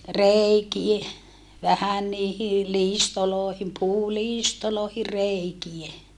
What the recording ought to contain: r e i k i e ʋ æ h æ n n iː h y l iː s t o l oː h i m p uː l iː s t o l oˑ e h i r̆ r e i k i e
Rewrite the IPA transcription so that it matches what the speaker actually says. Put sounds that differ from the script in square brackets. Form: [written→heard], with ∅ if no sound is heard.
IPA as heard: r e i k i e ʋ æ h æ n n iː h [y→i] l iː s t o l oː h i m p uː l iː s t o l oˑ e h i r̆ r e i k i e